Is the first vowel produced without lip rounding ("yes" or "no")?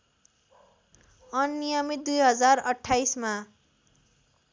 yes